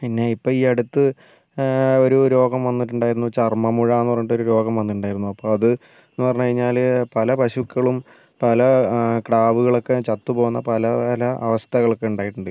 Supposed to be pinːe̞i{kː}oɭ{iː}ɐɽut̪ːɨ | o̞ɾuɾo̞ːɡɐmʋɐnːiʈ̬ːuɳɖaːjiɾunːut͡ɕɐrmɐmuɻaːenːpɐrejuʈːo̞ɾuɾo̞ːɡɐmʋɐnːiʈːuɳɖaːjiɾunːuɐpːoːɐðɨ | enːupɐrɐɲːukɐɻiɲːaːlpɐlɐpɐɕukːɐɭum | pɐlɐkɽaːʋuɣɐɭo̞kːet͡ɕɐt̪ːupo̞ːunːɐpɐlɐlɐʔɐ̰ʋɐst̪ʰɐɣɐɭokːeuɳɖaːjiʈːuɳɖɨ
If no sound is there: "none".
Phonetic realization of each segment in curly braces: pː, iː

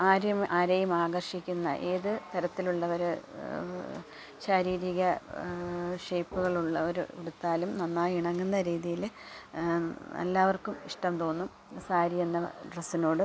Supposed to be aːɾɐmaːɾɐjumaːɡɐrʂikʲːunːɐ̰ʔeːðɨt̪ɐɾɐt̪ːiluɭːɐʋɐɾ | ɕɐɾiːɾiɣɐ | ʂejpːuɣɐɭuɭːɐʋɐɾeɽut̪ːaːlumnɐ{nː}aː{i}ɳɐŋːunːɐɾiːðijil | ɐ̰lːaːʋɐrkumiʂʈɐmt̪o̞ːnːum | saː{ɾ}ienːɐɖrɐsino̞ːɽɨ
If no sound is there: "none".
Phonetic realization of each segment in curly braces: nː, i, ɾ

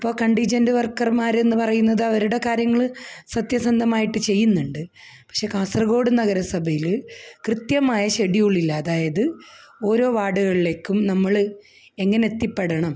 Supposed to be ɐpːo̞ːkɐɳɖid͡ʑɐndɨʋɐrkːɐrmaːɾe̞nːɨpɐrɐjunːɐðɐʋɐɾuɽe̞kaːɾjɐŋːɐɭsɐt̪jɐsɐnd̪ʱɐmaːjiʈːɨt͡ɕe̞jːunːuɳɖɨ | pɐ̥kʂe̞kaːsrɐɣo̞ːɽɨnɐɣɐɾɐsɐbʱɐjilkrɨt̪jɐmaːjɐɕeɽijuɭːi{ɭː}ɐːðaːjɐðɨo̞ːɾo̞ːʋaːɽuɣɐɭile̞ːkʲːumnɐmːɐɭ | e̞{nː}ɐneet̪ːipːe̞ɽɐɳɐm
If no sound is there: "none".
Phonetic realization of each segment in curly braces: lː, ŋː

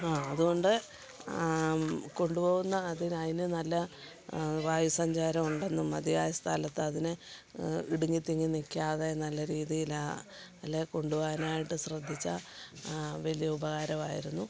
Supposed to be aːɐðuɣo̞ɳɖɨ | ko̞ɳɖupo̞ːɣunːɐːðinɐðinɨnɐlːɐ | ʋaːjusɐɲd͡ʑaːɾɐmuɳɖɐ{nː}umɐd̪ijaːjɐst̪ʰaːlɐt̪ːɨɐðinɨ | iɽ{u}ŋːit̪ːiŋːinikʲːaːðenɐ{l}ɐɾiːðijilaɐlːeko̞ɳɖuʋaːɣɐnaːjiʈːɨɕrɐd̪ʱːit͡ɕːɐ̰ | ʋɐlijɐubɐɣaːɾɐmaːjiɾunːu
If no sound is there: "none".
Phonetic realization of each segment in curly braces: nː, u, lː

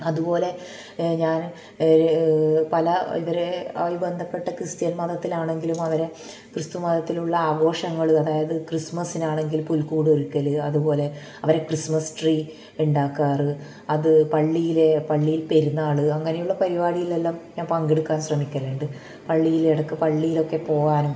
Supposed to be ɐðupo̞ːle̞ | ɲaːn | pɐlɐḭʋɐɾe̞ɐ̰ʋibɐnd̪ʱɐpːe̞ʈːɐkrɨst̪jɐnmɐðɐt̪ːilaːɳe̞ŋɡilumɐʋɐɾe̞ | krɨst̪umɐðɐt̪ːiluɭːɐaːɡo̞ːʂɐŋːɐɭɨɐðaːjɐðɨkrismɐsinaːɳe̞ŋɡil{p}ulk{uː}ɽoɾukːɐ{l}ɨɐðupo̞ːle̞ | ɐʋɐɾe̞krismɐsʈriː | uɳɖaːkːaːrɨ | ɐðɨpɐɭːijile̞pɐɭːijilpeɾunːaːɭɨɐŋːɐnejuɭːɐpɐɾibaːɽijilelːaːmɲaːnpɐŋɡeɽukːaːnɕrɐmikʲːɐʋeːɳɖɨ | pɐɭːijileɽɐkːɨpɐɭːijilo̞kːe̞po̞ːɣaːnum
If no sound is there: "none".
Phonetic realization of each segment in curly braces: p, uː, l

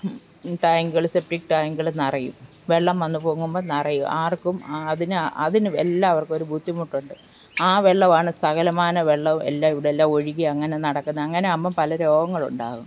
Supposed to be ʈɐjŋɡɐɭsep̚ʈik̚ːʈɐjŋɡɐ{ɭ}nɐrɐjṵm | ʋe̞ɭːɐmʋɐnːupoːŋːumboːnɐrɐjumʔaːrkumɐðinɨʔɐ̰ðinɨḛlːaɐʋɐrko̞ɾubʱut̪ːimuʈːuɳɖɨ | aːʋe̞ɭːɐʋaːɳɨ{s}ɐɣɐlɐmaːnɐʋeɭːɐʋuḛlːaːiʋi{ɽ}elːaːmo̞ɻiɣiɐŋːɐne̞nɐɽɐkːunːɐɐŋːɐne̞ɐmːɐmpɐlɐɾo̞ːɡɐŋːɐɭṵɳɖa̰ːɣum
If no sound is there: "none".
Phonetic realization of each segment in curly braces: ɭ, s, ɽ

